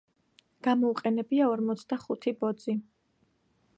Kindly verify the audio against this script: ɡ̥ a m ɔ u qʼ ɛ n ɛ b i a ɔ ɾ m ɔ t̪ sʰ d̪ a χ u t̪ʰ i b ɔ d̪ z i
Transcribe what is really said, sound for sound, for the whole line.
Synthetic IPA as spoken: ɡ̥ a m ɔ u qʼ ɛ n ɛ b i a ɔ ɾ m ɔ t̪ sʰ d̪ a χ u t̪ʰ i b ɔ d̪ z i

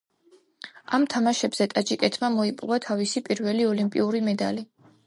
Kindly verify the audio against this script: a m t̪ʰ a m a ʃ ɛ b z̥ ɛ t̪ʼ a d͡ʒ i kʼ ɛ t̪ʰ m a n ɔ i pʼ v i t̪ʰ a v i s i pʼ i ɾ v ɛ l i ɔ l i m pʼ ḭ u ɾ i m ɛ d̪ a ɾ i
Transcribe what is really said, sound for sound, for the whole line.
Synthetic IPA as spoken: a m t̪ʰ a m a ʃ ɛ b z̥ ɛ t̪ʼ a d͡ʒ i kʼ ɛ t̪ʰ m a m ɔ i pʼ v a t̪ʰ a v i s i pʼ i ɾ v ɛ l i ɔ l i m pʼ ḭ u ɾ i m ɛ d̪ a l i

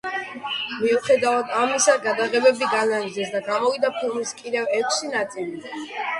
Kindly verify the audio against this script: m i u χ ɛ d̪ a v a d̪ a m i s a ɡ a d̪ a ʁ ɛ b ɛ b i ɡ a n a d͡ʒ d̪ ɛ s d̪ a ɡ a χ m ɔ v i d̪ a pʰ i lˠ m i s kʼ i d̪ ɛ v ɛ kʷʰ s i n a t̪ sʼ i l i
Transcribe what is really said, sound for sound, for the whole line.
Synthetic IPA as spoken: m i u χ ɛ d̪ a v a d̪ a m i s a ɡ a d̪ a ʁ ɛ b ɛ b i ɡ a n a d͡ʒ d̪ ɛ s d̪ a ɡ a m ɔ v i d̪ a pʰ i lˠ m i s kʼ i d̪ ɛ v ɛ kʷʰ s i n a t̪ sʼ i l i

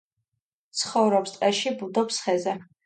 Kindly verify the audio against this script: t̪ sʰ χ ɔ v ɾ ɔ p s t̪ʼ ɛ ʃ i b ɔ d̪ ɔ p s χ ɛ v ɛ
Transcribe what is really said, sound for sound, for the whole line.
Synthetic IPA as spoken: t̪ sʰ χ ɔ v ɾ ɔ p s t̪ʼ ɛ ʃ i b u d̪ ɔ p s χ ɛ z ɛ

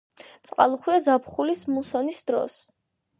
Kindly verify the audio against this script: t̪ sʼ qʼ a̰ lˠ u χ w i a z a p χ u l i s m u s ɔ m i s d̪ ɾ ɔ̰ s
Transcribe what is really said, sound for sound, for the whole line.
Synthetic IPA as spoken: t̪ sʼ qʼ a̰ lˠ u χ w i a z a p χ u l i s m u s ɔ n i s d̪ ɾ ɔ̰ s

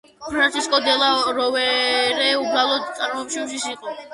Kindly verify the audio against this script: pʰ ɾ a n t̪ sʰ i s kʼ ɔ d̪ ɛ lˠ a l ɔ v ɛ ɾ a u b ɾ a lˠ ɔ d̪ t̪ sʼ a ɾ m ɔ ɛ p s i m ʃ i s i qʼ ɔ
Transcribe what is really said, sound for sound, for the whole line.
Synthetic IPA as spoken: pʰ ɾ a n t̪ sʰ i s kʼ ɔ d̪ ɛ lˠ a ɾ ɔ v ɛ ɾ ɛ u b ɾ a lˠ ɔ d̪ t̪ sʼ a ɾ m ɔ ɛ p ʃ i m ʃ i s i qʼ ɔ

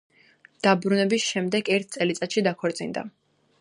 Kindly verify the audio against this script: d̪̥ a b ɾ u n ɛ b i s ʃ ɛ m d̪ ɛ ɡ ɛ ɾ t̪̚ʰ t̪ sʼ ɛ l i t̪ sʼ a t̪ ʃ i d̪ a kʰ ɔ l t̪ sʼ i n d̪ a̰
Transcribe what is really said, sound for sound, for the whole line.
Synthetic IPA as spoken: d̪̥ a b ɾ u n ɛ b i s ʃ ɛ m d̪ ɛ ɡ ɛ ɾ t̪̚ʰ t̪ sʼ ɛ l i t̪ sʼ a t̪ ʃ i d̪ a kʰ ɔ ɾ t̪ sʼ i n d̪ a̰

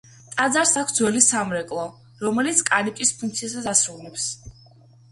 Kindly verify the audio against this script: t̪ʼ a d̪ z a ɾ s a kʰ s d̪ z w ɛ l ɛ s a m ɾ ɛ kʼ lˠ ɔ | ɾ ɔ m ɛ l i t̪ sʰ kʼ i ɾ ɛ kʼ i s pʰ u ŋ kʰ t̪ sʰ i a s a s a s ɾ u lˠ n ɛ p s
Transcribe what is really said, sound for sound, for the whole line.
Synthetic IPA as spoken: t̪ʼ a d̪ z a ɾ s a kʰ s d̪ z w ɛ l i s a m ɾ ɛ kʼ lˠ ɔ | ɾ ɔ m ɛ l i t̪ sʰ kʼ a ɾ i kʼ i s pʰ u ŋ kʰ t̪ sʰ i a s a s a s ɾ u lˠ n ɛ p s

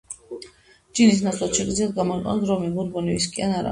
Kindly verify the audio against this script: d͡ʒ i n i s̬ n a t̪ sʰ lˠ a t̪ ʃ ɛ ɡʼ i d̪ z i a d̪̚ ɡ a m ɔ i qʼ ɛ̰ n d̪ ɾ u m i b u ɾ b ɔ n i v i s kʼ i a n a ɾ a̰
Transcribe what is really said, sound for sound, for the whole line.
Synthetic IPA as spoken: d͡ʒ i n i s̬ n a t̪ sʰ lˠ a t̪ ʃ ɛ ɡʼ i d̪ z i a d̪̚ ɡ a m ɔ i qʼ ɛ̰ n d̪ ɾ ɔ m i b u ɾ b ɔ n i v i s kʼ i a n a ɾ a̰

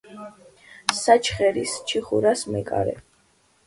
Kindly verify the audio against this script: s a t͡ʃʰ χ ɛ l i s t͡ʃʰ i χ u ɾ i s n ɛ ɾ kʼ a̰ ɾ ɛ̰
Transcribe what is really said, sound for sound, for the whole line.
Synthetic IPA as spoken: s a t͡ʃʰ χ ɛ ɾ i s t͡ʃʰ i χ u ɾ a s m ɛ kʼ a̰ ɾ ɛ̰

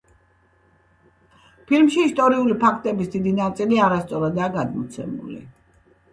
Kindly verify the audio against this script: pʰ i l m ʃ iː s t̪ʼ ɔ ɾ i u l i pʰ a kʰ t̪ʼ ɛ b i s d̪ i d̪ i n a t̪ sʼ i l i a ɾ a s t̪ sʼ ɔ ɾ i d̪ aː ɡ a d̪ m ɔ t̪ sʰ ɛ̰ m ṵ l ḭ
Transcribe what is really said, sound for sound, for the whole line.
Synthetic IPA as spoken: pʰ i l m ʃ iː s t̪ʼ ɔ ɾ i u l i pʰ a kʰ t̪ʼ ɛ b i s d̪ i d̪ i n a t̪ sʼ i l i a ɾ a s t̪ sʼ ɔ ɾ a d̪ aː ɡ a d̪ m ɔ t̪ sʰ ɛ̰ m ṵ l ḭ

